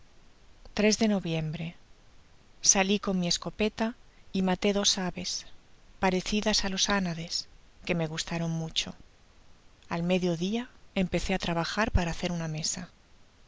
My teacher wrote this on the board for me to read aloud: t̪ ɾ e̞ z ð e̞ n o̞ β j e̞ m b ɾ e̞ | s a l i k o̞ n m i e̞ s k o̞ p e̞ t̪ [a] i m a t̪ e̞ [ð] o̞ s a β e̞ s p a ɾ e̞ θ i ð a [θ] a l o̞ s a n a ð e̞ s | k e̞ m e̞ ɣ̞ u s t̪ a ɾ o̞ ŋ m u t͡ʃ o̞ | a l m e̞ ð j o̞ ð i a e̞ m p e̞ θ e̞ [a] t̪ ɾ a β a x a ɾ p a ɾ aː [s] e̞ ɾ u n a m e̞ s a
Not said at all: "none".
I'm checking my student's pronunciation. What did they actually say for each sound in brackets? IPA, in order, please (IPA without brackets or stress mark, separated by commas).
a, ð, s, a, θ